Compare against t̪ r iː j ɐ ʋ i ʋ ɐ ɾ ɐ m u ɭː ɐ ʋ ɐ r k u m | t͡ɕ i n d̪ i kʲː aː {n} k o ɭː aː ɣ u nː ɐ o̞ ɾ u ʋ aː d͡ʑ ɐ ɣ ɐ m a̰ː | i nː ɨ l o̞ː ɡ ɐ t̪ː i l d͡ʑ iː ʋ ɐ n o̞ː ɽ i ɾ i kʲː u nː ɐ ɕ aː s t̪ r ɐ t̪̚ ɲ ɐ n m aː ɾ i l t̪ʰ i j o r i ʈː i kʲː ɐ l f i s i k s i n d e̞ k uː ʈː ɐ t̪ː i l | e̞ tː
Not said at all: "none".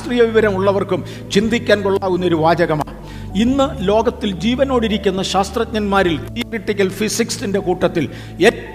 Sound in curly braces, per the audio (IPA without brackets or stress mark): n